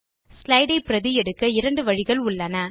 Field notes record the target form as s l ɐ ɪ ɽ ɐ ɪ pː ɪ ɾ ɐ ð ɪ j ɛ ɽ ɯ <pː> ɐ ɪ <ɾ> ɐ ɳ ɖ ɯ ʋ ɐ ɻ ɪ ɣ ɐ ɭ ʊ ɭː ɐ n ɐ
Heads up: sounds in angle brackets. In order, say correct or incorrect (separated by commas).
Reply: incorrect, correct